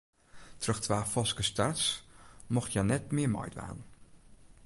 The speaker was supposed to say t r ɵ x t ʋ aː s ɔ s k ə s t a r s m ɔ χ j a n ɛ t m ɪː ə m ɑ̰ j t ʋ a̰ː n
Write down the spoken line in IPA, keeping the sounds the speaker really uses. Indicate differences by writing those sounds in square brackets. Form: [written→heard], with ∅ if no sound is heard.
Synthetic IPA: t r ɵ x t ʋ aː [s→f] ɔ s k ə s t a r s m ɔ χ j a n ɛ t m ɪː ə m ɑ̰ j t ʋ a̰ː n